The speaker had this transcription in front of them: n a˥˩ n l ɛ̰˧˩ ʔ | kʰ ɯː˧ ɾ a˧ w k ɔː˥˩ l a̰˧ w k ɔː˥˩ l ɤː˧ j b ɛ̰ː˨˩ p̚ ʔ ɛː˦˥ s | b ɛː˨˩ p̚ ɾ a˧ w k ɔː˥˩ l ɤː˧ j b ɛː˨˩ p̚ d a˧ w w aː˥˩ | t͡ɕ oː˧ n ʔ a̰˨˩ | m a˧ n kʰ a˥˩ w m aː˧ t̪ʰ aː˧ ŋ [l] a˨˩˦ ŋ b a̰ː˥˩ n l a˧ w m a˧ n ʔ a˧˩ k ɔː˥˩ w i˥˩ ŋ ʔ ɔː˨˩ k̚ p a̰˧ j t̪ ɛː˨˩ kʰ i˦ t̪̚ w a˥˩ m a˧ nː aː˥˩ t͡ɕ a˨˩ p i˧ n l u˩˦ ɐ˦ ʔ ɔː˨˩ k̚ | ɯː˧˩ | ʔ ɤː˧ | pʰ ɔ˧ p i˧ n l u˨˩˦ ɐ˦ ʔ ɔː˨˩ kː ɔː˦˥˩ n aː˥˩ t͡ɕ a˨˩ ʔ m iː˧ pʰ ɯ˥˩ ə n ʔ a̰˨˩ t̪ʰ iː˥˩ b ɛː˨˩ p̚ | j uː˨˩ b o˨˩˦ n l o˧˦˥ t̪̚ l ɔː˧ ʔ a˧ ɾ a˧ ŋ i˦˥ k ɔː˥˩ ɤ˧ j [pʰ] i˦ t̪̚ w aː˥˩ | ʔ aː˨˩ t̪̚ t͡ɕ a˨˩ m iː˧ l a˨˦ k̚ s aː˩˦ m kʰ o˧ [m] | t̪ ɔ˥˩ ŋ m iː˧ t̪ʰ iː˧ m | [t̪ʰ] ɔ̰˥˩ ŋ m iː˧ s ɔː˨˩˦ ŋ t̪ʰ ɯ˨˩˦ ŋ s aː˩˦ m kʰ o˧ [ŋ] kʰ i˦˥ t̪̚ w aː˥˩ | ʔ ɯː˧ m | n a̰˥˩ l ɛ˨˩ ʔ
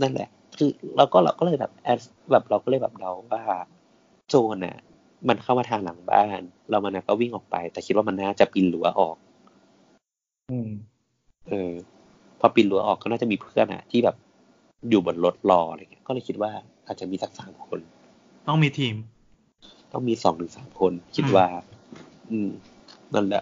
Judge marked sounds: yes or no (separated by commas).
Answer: yes, no, no, no, no